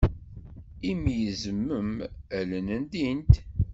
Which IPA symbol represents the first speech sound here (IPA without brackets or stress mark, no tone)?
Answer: i